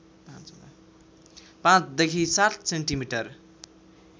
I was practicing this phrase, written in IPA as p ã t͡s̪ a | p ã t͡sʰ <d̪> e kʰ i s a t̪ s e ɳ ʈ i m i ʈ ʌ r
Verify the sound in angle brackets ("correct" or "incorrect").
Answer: correct